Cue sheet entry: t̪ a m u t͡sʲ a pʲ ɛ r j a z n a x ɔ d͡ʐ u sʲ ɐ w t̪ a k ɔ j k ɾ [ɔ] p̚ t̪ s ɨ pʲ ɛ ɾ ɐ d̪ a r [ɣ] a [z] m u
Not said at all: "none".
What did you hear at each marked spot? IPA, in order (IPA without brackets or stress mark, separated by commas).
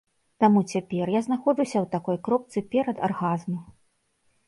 ɔ, ɣ, z